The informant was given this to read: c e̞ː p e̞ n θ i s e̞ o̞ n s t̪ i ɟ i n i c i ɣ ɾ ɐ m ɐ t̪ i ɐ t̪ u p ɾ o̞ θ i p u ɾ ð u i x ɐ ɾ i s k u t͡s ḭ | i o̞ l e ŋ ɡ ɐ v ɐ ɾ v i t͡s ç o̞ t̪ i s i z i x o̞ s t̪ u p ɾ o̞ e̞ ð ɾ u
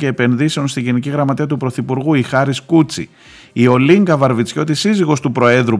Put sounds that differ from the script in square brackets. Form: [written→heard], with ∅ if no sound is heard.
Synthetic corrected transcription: c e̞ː p e̞ n [θ→ð] i s e̞ o̞ n s t̪ i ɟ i n i c i ɣ ɾ ɐ m ɐ t̪ i ɐ t̪ u p ɾ o̞ θ i p u ɾ [ð→ɣ] u i x ɐ ɾ i s k u t͡s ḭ | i o̞ l [e→i] ŋ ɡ ɐ v ɐ ɾ v i t͡s ç o̞ t̪ i s i z i [x→ɣ] o̞ s t̪ u p ɾ o̞ e̞ ð ɾ u